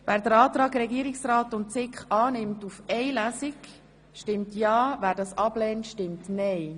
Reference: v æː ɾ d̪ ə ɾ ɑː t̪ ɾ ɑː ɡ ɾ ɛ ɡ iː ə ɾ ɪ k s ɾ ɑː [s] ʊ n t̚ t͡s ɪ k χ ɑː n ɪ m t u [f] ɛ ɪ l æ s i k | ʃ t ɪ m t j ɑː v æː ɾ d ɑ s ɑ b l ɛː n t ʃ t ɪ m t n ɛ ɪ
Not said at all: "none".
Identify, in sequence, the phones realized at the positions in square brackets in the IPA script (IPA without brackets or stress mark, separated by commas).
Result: t, f